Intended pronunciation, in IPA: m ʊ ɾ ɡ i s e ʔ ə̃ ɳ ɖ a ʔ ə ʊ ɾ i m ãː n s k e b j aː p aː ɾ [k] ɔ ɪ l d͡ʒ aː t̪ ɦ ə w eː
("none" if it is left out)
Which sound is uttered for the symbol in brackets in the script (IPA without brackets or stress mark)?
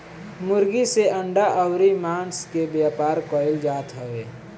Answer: k